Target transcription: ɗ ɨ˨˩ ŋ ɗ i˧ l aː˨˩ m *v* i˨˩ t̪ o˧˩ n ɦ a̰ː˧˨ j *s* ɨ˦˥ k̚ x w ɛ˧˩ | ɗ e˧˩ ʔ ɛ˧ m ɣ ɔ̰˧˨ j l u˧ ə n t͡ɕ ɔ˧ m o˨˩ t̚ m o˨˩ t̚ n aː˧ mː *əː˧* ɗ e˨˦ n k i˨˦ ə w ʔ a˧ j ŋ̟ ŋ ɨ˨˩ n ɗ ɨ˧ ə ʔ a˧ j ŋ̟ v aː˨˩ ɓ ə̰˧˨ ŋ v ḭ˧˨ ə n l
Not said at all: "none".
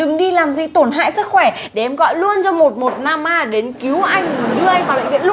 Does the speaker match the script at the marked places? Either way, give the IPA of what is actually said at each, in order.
z, s, aː˧

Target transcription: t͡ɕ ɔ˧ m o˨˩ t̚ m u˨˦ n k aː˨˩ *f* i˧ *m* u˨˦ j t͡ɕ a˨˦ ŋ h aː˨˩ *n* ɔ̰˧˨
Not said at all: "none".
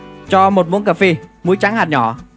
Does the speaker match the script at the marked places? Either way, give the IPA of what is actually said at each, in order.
f, m, ɲ

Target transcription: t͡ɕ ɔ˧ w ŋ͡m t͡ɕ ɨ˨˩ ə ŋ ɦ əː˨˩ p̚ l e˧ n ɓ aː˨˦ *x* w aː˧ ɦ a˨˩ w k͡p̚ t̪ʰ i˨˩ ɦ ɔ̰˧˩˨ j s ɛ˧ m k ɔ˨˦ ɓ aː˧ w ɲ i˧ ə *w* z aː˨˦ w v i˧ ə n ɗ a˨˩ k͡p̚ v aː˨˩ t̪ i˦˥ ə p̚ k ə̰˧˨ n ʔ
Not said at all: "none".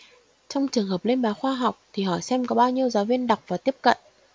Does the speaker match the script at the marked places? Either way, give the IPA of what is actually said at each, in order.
x, w

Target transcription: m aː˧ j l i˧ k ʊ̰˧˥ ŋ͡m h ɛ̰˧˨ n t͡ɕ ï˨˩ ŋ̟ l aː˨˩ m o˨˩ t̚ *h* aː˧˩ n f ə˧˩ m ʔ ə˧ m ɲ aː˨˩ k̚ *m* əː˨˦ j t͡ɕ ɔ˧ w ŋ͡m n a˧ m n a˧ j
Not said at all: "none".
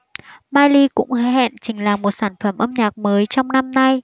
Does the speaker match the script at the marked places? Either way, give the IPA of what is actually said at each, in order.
s, m

